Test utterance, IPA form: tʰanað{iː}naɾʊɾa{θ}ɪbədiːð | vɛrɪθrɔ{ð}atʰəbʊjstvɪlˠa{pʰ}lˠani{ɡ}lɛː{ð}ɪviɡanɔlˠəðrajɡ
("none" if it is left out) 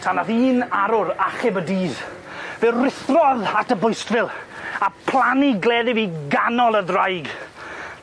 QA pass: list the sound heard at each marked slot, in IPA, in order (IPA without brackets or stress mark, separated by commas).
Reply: iː, χ, ð, pʰ, ɡ, ð